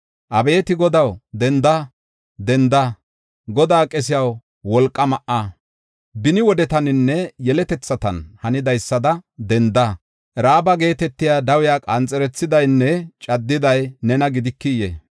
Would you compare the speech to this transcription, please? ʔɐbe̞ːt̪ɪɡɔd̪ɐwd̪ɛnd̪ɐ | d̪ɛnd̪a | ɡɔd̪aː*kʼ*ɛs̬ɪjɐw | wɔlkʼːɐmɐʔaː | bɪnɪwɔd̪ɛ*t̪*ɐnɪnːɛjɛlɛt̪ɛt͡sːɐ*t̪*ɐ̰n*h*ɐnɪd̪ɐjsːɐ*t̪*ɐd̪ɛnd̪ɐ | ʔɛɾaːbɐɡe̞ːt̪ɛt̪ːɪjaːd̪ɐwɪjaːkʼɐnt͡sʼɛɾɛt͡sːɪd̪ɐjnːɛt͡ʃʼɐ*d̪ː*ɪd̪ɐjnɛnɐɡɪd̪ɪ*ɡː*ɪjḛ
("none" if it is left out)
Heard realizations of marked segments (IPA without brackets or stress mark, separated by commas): kʼ, t̪, t̪, h, d̪, d̪ː, kː